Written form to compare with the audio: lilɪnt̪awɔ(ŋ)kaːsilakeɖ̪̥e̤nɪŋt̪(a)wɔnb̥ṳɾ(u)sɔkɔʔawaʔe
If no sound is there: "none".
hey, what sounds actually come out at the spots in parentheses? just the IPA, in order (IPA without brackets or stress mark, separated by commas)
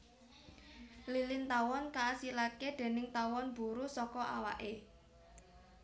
n, a, u